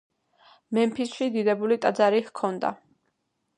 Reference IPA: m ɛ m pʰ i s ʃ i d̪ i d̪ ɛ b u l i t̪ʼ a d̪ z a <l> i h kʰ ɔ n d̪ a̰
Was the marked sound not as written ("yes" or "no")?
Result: yes